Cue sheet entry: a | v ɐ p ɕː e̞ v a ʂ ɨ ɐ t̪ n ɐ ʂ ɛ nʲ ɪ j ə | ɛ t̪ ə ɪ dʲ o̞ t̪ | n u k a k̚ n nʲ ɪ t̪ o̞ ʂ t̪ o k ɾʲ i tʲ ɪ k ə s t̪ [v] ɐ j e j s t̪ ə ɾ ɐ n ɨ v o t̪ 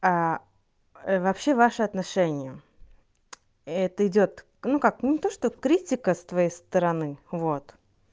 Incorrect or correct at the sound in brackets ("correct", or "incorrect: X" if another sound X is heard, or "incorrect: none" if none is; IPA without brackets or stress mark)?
correct